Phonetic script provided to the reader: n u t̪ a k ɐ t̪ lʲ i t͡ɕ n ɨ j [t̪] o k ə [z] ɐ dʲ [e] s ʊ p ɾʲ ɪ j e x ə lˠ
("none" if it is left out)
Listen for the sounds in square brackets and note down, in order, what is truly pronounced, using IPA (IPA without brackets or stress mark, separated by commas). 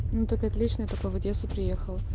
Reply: t̪, v, e